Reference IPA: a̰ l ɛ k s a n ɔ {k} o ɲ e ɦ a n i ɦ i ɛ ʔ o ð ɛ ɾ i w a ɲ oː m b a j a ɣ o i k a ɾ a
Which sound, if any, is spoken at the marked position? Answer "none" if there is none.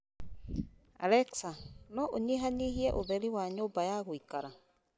ʔ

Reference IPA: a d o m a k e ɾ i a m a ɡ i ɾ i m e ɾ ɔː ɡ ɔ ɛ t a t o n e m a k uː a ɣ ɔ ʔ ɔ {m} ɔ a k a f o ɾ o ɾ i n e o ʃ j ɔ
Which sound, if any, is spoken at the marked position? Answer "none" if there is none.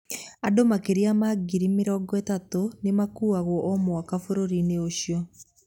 m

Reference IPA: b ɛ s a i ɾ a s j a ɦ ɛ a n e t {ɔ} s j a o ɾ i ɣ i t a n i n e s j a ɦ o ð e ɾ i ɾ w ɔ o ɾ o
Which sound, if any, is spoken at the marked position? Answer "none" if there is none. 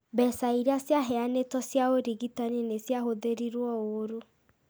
ɔ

